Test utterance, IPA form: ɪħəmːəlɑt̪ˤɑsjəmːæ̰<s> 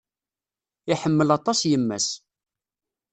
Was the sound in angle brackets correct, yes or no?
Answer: yes